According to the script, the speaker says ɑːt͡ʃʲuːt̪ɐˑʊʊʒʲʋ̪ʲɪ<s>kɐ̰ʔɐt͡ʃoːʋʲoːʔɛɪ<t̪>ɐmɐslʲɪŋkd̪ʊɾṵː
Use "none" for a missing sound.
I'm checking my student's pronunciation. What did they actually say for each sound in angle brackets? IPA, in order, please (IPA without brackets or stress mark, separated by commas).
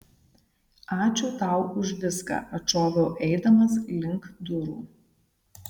s, d̪